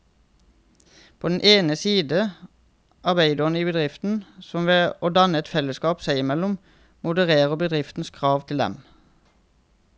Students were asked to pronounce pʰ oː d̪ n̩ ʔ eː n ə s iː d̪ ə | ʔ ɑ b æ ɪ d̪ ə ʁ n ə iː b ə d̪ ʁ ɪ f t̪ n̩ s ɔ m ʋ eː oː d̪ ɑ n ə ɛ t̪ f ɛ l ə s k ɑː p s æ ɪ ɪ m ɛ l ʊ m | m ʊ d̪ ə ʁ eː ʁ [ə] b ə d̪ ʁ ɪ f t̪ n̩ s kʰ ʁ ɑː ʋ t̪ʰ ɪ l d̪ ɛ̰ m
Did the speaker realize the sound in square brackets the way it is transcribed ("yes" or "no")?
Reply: yes